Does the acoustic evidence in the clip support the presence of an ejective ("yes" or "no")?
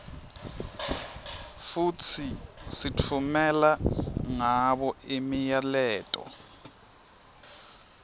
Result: yes